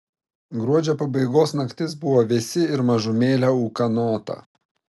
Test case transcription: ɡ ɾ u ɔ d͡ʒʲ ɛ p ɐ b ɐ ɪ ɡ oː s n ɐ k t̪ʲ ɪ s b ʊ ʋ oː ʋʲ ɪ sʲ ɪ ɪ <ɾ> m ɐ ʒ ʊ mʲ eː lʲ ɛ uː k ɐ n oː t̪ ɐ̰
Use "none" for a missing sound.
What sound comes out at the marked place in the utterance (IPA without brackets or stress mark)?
ɾ